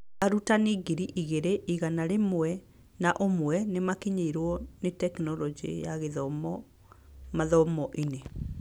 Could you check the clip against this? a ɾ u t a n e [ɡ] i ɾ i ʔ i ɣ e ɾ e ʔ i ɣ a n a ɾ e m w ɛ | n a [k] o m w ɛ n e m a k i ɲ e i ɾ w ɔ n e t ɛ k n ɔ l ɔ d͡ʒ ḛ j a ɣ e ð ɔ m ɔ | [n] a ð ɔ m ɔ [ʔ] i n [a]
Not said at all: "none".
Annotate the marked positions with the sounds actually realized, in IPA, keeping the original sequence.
ɡ, ʔ, m, ʔ, e

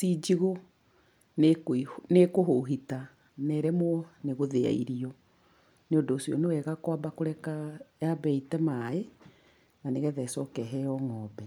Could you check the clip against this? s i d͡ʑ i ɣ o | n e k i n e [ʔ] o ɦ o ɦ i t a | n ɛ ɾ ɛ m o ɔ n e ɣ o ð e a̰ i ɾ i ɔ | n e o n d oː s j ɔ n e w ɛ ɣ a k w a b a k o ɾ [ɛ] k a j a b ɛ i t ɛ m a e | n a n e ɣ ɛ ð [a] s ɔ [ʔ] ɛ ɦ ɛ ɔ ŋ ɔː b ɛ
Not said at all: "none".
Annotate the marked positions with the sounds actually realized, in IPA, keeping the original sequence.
k, ɛ, ɛ, k

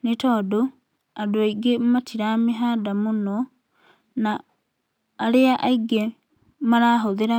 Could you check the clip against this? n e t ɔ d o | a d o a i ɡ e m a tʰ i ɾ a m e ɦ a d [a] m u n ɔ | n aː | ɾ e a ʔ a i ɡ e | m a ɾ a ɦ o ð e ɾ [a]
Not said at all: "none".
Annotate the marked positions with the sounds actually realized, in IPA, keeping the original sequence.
a, a

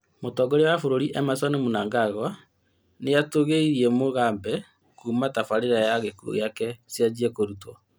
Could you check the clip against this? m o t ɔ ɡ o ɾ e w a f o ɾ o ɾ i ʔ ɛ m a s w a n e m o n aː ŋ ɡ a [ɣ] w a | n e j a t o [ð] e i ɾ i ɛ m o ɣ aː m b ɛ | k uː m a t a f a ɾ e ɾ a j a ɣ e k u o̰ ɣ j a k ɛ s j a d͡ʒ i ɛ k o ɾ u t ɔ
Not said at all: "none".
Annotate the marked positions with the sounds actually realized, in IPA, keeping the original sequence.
ɣ, ɣ

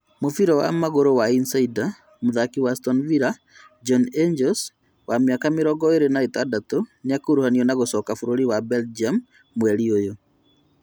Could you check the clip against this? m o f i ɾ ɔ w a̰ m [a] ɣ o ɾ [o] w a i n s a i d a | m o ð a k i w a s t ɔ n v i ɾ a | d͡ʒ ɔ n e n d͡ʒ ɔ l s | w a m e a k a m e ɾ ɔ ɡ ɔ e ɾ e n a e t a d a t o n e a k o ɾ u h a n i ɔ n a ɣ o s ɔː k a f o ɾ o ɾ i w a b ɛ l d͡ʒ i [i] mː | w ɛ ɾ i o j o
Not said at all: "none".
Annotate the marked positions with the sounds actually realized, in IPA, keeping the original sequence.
a, o, a

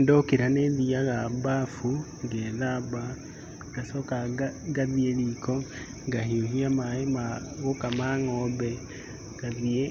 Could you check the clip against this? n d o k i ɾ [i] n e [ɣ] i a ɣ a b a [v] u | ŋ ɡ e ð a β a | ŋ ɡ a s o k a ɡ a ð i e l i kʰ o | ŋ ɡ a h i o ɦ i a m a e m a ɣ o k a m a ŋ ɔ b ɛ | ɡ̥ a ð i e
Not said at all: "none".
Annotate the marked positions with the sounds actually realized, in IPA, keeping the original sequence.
a, ð, f

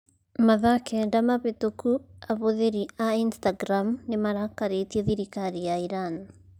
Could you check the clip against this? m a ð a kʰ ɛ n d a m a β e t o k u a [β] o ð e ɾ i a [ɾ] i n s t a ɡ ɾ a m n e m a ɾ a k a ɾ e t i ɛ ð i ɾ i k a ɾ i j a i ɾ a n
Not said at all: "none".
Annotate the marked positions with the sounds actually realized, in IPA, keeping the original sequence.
β, none

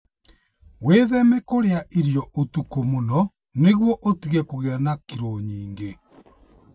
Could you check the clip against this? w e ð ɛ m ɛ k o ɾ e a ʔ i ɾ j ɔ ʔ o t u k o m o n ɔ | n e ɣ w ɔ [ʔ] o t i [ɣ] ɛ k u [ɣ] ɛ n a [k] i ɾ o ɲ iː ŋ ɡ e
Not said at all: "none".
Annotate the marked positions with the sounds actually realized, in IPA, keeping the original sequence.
ʔ, ɣ, ɣ, k

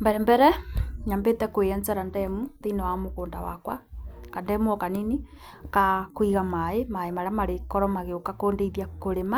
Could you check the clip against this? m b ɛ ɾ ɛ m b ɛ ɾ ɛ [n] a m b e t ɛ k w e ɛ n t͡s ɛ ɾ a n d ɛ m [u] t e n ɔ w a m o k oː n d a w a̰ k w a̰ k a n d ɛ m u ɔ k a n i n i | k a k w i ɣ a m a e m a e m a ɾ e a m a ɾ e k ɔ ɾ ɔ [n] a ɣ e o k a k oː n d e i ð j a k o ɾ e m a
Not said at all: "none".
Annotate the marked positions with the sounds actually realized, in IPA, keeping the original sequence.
ɲ, u, m

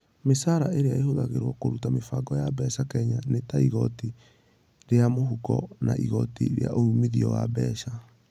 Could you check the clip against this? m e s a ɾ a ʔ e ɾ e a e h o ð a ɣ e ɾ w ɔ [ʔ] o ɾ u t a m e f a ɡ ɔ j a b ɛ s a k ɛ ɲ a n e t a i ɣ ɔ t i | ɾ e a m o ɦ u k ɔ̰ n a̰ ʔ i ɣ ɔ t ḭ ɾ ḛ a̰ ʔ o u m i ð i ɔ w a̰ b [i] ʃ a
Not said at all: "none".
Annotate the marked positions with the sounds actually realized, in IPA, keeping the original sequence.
k, ɛ

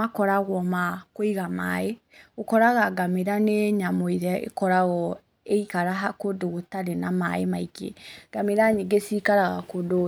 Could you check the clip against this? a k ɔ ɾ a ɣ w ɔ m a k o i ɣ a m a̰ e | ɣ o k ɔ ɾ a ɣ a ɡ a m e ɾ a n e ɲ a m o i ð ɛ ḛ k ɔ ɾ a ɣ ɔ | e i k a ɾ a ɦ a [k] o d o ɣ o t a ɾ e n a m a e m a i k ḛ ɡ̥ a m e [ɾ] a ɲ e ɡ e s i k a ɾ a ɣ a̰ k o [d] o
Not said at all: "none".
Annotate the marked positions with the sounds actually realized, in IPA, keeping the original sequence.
k, ɾ, d

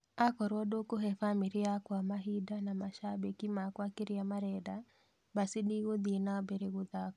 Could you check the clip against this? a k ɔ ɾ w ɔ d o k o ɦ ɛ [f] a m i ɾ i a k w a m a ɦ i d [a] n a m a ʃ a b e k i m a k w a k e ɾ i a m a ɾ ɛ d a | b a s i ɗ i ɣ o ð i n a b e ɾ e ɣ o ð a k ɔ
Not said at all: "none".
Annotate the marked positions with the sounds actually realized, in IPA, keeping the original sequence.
f, a

